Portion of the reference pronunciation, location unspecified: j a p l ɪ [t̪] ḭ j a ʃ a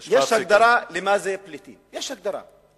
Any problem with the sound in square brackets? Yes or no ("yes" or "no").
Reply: no